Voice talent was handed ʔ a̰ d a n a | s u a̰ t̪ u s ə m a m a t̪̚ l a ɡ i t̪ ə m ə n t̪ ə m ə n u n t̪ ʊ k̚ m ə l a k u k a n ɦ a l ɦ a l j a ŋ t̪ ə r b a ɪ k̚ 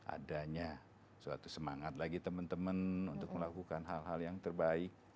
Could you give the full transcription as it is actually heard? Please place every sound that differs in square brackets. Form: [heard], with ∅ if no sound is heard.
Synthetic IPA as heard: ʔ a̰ d a [ɲ] a | s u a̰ t̪ u s ə m a [ŋ] a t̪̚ l a ɡ i t̪ ə m ə n t̪ ə m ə n u n t̪ ʊ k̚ m ə l a k u k a n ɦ a l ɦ a l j a ŋ t̪ ə r b a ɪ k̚